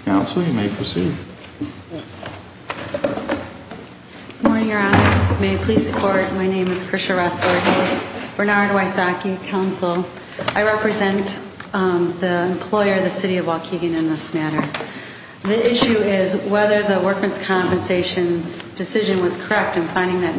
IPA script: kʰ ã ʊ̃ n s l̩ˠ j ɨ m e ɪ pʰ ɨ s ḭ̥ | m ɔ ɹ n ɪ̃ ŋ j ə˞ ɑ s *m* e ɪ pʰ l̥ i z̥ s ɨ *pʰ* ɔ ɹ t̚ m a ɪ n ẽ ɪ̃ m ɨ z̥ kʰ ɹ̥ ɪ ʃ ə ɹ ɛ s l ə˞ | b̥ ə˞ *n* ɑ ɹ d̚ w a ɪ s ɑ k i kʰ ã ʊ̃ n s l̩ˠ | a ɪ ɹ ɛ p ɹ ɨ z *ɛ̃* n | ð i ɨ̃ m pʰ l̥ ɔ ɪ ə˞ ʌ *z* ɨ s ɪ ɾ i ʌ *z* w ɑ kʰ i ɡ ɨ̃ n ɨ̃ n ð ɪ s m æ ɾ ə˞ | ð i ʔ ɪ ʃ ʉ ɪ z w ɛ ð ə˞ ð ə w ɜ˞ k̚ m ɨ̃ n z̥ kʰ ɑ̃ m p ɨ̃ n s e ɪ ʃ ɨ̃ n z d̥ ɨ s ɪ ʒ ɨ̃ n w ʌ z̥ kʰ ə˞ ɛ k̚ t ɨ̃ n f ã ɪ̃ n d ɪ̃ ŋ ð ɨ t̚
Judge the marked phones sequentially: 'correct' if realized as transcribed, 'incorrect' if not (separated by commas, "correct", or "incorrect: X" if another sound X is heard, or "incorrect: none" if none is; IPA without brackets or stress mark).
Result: correct, incorrect: kʰ, correct, correct, incorrect: ð, incorrect: v